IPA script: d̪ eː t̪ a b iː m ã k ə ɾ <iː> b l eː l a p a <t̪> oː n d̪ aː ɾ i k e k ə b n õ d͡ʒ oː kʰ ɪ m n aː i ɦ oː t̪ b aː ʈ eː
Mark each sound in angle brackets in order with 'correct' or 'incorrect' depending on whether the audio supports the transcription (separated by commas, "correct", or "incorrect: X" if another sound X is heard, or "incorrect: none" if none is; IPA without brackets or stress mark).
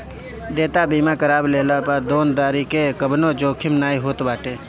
incorrect: aː, incorrect: d̪